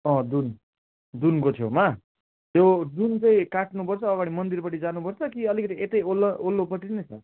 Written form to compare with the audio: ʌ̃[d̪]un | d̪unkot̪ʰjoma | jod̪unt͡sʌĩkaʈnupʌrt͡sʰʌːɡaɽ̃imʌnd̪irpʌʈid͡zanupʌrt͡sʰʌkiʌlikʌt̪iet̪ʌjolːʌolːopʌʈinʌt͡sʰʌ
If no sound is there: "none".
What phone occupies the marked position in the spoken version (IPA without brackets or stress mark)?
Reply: d̪